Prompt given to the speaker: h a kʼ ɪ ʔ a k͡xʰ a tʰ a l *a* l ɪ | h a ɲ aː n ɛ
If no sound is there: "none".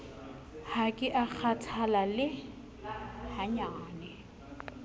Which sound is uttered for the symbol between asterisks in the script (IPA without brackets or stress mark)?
a